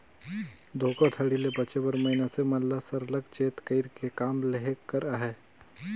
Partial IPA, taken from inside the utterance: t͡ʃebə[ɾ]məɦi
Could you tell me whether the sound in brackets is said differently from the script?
no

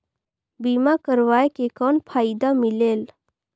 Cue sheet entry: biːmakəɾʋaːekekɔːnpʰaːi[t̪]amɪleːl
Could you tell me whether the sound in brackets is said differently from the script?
yes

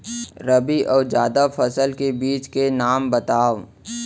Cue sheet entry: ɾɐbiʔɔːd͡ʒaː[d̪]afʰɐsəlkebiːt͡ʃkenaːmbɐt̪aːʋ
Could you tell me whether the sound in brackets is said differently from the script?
no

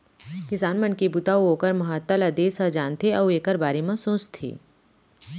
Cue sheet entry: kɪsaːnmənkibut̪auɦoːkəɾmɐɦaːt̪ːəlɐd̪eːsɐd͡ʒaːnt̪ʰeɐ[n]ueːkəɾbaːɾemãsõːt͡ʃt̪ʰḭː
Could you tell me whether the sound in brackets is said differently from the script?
yes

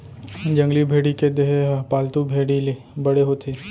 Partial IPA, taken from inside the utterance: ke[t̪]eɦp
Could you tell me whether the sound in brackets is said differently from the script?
yes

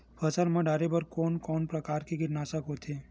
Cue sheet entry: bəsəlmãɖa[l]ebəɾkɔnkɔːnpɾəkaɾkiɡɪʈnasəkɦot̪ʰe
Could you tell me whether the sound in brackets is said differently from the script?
yes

